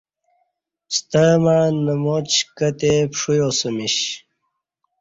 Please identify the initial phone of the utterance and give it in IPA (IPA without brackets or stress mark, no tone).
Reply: s